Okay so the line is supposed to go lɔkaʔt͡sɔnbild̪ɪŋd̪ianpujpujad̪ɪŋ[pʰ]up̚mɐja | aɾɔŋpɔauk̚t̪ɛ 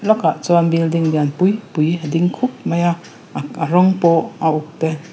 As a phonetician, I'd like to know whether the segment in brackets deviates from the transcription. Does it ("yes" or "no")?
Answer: yes